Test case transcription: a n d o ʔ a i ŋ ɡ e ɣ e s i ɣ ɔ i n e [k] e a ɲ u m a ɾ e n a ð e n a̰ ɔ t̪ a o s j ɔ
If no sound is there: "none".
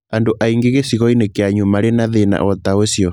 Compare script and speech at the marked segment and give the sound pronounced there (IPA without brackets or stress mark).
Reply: k